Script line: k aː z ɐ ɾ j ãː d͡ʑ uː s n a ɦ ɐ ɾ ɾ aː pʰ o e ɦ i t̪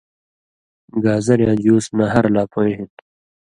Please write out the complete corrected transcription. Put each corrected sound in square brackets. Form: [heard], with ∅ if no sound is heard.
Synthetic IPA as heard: [ɡ] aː z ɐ ɾ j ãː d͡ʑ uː s n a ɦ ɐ ɾ [l] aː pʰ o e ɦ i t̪